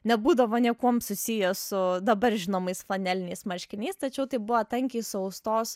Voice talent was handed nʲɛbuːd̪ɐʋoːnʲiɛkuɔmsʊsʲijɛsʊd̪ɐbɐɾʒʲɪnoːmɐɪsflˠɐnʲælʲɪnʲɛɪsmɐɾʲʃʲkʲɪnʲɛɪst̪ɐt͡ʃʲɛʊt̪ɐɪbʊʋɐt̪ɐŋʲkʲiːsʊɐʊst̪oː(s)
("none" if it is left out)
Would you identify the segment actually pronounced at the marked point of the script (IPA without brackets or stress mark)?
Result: s